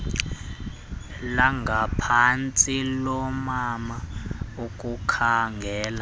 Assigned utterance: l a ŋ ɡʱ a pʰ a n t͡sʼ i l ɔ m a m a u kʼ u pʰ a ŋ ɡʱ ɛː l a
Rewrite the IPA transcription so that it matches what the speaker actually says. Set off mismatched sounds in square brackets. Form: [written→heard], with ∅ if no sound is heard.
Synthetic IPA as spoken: l a ŋ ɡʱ a pʰ a n t͡sʼ i l ɔ m a m a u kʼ u [pʰ→kʰ] a ŋ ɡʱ ɛː l a